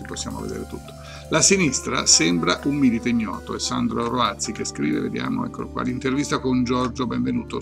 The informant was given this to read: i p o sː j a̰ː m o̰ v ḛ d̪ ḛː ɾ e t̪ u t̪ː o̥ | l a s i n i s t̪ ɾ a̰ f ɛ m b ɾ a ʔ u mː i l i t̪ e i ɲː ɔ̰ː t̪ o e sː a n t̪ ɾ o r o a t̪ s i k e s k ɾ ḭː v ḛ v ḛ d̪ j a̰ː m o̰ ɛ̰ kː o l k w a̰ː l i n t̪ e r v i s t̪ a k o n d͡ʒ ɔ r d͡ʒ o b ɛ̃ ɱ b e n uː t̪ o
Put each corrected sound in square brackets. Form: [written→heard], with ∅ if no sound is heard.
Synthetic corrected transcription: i p o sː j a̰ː m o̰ v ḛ d̪ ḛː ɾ e t̪ u t̪ː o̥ | l a s i n i s t̪ ɾ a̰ [f→s] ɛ m b ɾ a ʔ u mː i l i t̪ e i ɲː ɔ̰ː t̪ o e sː a n [t̪→d̪] ɾ o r o a t̪ s i k e s k ɾ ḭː v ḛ v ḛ d̪ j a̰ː m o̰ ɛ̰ kː o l k w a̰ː l i n t̪ e r v i s t̪ a k o n d͡ʒ ɔ r d͡ʒ o b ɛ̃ ɱ [b→v] e n uː t̪ o